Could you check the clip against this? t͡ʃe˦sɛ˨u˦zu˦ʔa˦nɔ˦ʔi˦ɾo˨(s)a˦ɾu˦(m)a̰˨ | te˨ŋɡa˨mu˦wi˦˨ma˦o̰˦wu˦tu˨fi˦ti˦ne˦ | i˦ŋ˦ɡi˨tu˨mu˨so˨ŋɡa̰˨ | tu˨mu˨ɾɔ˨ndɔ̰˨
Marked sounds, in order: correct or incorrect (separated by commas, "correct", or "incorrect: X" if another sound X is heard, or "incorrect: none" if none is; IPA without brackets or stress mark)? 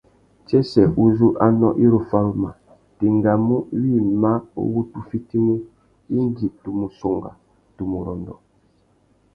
incorrect: f, correct